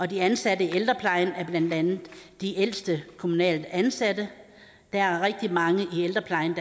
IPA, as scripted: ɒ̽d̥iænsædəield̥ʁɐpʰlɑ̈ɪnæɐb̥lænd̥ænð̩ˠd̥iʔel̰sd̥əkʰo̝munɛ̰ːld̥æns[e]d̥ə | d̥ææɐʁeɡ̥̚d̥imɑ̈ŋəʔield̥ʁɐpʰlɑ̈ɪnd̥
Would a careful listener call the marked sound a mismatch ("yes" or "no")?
yes